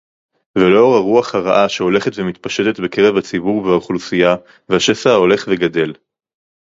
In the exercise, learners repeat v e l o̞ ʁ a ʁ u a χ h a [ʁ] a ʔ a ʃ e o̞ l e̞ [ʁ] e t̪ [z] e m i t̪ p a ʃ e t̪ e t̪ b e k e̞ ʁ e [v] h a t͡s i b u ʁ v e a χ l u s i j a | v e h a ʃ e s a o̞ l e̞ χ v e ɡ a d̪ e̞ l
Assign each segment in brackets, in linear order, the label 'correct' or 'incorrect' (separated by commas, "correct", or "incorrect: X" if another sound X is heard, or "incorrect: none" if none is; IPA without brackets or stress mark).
correct, incorrect: χ, incorrect: v, correct